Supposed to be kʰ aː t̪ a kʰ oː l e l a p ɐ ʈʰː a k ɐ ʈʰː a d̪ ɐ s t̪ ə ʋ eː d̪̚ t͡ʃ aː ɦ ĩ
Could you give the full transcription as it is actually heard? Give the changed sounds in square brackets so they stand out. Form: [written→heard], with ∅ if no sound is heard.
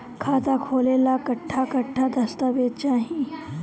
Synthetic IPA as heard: kʰ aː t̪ a kʰ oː l e l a [p→k] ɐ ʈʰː a k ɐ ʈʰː a d̪ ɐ s t̪ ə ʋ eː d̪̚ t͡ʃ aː ɦ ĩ